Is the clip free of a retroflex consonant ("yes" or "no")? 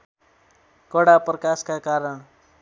no